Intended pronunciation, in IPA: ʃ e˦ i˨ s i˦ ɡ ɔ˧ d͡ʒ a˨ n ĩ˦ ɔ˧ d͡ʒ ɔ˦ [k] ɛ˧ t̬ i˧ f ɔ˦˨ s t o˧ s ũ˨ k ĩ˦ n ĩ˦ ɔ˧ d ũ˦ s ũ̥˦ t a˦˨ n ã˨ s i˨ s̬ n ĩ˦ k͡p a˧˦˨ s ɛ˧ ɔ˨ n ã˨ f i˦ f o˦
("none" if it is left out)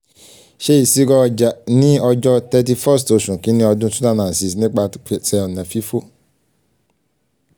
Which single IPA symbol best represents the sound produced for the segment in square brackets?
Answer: t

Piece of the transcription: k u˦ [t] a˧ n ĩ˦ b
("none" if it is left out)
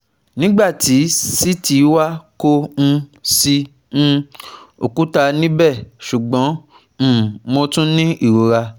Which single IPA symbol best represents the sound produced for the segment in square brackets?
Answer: t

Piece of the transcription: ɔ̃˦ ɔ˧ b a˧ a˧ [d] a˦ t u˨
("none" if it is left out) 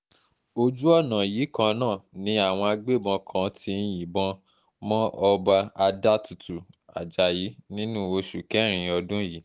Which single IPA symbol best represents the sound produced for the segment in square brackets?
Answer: d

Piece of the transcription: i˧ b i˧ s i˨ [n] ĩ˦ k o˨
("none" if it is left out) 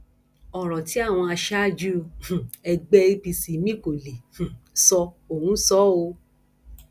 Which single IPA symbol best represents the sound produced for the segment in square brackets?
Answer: m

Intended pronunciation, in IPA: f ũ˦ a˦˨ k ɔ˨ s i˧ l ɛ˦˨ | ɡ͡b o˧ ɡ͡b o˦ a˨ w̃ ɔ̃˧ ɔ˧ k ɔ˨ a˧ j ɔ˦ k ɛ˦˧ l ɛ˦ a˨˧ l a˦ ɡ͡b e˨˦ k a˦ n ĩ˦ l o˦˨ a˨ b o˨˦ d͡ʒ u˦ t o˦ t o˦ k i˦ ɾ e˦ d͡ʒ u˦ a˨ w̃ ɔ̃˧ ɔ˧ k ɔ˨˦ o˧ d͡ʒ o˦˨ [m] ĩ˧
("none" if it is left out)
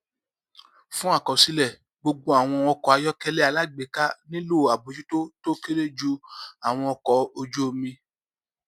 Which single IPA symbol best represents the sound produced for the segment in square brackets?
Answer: m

